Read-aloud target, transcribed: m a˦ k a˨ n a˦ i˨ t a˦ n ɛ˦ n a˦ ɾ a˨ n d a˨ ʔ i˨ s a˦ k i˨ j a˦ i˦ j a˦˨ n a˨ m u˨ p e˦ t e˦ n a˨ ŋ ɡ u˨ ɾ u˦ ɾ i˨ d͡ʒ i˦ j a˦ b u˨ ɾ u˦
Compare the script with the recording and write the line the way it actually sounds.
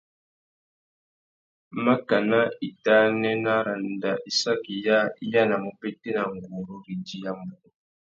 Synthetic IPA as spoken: m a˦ k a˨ n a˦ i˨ t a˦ n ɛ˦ n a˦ ɾ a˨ n d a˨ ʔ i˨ s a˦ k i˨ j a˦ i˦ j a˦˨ n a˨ m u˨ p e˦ t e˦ n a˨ ŋ ɡ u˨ ɾ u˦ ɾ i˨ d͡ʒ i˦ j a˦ m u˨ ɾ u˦